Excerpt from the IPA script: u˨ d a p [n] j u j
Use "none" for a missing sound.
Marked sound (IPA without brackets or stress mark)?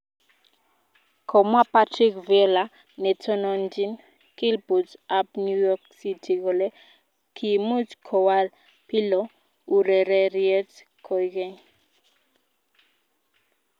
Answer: n